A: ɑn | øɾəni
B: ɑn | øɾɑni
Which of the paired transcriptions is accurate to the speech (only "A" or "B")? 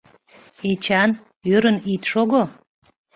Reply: A